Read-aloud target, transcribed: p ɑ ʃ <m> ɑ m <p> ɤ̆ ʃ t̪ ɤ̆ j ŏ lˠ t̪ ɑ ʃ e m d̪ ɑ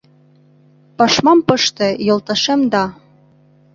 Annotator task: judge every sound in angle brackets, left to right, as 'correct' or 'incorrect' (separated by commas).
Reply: correct, correct